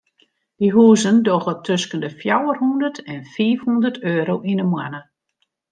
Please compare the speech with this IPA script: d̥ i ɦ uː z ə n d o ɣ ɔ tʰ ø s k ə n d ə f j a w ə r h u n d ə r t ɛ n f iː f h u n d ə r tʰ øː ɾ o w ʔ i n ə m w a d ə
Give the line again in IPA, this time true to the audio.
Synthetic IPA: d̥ i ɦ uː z ə n d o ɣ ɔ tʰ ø s k ə n d ə f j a w ə r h u n d ə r t ɛ n f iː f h u n d ə r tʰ øː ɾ o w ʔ i n ə m w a n ə